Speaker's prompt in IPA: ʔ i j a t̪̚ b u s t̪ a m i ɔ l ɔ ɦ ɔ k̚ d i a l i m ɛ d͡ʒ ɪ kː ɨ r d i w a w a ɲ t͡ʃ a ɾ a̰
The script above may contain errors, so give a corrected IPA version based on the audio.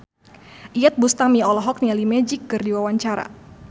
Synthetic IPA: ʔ i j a t̪̚ b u s t̪ a m i ɔ l ɔ ɦ ɔ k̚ n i a l i m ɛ d͡ʒ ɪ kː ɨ r d i w a w a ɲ t͡ʃ a ɾ a̰